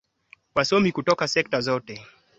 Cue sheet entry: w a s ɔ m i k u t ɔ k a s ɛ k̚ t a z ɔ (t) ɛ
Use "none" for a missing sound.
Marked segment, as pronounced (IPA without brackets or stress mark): t